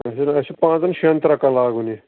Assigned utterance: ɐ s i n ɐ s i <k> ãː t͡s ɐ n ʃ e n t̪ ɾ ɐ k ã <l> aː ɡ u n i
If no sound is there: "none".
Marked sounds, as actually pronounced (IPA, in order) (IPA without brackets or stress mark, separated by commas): p, l